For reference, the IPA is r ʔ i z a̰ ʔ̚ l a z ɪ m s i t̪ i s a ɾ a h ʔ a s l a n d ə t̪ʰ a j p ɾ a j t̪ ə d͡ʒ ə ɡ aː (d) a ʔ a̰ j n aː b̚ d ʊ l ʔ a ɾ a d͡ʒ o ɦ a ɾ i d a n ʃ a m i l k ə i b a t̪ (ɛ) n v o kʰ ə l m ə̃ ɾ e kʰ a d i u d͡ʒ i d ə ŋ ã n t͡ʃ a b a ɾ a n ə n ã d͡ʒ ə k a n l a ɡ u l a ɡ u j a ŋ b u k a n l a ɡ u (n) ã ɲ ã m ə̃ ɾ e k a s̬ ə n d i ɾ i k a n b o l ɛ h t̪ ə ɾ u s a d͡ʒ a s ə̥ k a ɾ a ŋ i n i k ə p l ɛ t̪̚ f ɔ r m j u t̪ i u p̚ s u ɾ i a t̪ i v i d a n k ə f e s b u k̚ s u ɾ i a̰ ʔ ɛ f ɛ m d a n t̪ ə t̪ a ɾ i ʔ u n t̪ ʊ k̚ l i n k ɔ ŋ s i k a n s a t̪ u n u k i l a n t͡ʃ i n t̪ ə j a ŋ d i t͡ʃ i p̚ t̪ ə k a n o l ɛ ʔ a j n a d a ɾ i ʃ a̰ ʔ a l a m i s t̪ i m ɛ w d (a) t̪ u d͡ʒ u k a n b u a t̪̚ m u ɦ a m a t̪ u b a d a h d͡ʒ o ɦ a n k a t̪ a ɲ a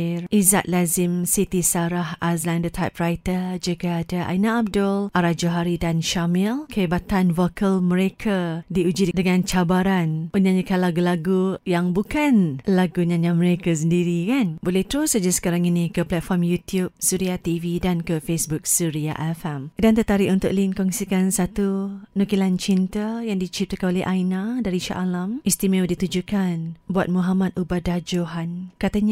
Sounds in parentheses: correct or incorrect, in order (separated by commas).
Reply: correct, incorrect, incorrect, incorrect